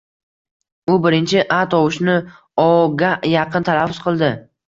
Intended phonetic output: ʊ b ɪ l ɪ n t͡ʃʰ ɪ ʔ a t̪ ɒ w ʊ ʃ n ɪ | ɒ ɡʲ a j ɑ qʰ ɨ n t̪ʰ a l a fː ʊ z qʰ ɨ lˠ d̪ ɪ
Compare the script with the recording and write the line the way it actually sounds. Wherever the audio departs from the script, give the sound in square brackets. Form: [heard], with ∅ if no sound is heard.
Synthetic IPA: ʊ b ɪ [ɾ] ɪ n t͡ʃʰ ɪ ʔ a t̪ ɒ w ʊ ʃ n ɪ | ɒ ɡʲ a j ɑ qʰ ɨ n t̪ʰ a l a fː ʊ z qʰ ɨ lˠ d̪ ɪ